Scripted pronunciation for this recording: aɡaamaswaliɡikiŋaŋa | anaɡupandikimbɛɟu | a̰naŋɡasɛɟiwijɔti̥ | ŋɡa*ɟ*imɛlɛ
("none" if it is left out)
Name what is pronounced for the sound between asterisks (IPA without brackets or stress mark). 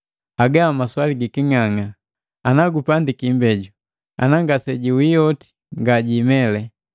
ɟ